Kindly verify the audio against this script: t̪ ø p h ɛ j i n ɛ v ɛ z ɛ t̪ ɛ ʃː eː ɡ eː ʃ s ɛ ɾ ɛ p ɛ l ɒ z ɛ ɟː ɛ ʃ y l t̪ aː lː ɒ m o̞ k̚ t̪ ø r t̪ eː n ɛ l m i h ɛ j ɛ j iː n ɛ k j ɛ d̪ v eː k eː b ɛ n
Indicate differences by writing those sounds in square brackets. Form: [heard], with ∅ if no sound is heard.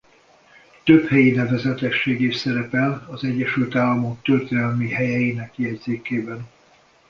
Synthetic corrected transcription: t̪ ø p h ɛ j i n ɛ v ɛ z ɛ t̪ ɛ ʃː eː ɡ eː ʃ s ɛ ɾ ɛ p ɛ l ɒ z ɛ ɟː ɛ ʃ y l t̪ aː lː ɒ m o̞ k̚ t̪ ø r t̪ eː n ɛ l m i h ɛ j ɛ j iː n ɛ k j ɛ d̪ [z] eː k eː b ɛ n